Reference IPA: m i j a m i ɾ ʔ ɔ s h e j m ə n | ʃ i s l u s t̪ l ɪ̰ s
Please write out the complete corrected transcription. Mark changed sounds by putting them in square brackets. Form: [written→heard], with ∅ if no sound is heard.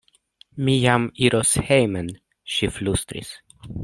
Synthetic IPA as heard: m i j a m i ɾ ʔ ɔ s h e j m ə n | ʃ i [s→f] l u s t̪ [l→ɾ] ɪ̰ s